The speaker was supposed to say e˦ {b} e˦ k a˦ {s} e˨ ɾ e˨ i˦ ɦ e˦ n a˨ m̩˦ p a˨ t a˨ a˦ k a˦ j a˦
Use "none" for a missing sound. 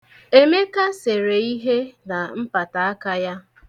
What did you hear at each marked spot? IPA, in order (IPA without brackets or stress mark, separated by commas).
m, s